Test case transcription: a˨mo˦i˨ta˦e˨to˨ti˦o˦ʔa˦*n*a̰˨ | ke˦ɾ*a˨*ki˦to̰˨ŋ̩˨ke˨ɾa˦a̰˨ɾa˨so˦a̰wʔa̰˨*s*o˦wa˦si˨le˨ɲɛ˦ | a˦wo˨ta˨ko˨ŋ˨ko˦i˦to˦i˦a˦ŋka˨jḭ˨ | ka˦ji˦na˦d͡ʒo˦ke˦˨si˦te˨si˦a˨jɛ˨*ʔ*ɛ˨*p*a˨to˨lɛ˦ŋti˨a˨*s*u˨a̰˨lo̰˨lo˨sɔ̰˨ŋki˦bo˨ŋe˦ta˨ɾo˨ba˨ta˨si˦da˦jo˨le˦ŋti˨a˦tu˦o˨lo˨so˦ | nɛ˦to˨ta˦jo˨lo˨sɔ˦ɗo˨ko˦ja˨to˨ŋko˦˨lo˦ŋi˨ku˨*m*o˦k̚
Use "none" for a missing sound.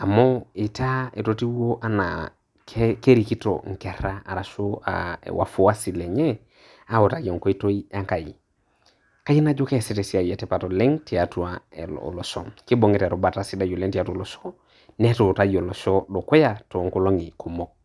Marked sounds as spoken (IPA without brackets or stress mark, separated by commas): n, i˨, f, t, p, t, m